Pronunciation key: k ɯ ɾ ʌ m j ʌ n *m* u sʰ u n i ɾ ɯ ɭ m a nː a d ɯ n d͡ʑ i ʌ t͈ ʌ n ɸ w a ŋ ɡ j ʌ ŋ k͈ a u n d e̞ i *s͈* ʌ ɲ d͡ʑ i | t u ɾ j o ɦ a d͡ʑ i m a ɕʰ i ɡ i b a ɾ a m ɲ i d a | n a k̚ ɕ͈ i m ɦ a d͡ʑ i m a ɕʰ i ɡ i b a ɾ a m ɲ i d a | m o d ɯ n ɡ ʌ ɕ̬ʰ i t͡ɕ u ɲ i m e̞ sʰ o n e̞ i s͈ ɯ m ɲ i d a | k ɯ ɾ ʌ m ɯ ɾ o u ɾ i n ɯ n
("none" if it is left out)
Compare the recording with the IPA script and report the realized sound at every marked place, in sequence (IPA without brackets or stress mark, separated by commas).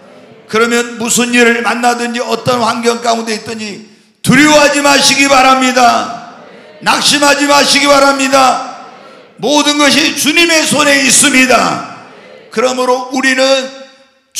m, t͈